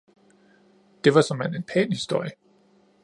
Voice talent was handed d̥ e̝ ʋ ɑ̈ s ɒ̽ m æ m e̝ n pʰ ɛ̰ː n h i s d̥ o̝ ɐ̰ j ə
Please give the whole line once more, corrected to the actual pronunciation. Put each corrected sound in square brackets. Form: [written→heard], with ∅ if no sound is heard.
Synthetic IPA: d̥ e̝ ʋ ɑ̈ s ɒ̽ m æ [m→n] e̝ n pʰ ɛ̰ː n h i s d̥ o̝ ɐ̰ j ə